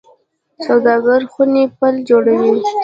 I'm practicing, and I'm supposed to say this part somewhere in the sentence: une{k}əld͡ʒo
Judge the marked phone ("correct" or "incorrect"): incorrect